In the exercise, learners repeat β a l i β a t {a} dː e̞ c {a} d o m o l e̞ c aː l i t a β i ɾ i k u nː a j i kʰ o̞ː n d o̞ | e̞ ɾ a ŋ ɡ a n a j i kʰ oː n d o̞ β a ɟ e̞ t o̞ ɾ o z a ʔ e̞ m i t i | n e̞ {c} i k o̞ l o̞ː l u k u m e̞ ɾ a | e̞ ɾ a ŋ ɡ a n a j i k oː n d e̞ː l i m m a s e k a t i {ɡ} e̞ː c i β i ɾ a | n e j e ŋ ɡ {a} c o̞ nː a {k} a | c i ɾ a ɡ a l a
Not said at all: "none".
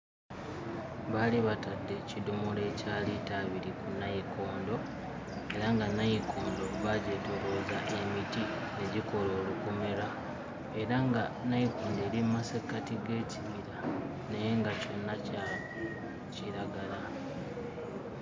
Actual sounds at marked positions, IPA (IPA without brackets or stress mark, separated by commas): a, i, ɟ, ɡ, a, c